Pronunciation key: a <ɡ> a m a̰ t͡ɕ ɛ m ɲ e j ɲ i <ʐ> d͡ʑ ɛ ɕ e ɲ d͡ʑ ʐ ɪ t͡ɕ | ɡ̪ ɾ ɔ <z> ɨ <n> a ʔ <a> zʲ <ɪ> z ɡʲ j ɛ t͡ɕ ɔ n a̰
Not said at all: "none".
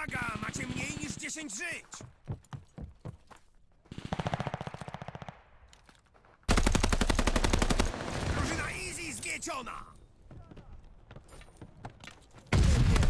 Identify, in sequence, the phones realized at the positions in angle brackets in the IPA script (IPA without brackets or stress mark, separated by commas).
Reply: ɡ, ʐ, ʐ, n, i, i